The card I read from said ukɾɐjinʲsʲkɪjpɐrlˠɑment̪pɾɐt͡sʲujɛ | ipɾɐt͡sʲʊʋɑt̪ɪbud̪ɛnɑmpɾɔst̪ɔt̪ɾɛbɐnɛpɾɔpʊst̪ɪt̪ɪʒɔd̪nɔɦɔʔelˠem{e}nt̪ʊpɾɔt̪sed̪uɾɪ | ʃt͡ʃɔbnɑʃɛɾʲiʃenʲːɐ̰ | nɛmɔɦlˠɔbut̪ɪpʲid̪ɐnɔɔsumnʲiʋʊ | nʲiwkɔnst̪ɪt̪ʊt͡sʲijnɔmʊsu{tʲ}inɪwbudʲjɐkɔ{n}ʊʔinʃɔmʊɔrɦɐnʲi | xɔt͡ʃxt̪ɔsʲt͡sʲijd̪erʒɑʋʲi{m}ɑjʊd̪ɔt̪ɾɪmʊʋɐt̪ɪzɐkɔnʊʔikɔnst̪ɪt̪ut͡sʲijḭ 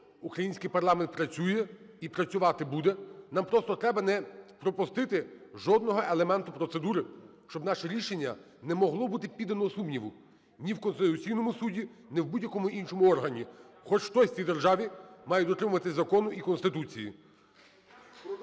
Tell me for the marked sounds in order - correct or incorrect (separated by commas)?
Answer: incorrect, incorrect, incorrect, correct